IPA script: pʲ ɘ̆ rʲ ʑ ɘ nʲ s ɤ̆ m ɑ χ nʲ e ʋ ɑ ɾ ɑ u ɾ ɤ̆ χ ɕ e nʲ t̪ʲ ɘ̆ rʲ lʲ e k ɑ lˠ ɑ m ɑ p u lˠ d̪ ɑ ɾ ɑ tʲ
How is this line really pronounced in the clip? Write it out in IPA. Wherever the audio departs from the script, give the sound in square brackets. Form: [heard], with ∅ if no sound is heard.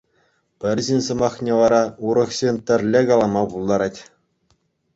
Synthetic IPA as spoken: pʲ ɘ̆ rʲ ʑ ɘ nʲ s ɤ̆ m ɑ χ nʲ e ʋ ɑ ɾ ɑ u ɾ ɤ̆ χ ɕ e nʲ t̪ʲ ɘ̆ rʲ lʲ e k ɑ lˠ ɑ m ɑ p u lˠ d̪ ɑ ɾ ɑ tʲ